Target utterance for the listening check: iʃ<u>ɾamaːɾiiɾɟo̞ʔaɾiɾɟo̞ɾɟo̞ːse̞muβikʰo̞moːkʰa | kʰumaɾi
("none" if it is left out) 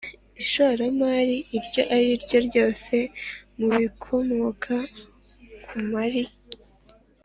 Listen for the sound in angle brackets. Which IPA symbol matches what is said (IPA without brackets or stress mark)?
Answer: o